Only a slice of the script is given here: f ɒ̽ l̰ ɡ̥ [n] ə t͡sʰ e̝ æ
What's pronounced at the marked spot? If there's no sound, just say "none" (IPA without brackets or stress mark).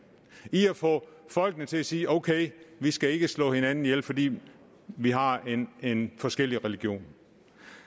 n